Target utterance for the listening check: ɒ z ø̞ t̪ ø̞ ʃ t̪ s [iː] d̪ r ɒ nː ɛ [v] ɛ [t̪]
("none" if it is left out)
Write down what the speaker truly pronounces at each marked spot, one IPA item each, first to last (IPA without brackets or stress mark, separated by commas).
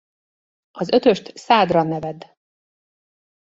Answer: aː, v, d̪